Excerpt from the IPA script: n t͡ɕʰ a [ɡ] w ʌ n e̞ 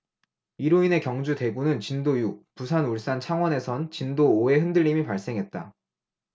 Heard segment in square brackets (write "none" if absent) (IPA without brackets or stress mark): ŋ